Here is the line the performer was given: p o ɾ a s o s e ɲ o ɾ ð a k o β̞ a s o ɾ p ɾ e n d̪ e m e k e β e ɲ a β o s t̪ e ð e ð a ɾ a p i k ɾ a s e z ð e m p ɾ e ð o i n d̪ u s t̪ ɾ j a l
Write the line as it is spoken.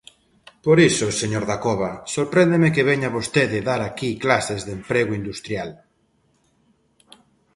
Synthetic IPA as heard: p o ɾ i s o s e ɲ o ɾ ð a k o β̞ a s o ɾ p ɾ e n d̪ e m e k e β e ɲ a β o s t̪ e ð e ð a ɾ a k i k l a s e z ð e m p ɾ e ɣ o i n d̪ u s t̪ ɾ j a l